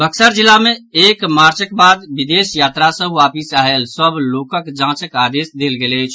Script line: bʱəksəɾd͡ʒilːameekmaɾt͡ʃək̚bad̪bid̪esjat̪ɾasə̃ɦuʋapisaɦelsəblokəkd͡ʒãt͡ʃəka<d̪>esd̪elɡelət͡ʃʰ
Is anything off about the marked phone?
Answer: no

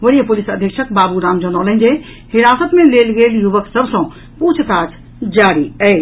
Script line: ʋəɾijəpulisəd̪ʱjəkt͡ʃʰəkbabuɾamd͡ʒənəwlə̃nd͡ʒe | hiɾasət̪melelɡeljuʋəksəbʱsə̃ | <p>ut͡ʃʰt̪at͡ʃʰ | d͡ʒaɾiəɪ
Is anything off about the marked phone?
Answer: no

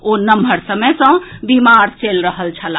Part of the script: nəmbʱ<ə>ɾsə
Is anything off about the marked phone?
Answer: no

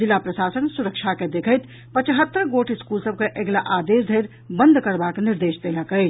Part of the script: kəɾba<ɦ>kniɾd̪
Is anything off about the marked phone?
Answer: yes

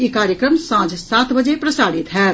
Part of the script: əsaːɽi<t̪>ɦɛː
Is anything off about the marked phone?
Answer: no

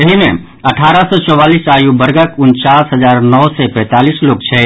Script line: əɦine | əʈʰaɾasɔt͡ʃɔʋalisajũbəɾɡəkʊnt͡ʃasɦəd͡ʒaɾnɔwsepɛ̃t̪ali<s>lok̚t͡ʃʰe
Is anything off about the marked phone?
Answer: no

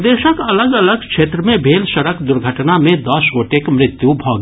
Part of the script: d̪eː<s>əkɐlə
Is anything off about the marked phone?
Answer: yes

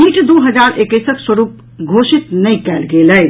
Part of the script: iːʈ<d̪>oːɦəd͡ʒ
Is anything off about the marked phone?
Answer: no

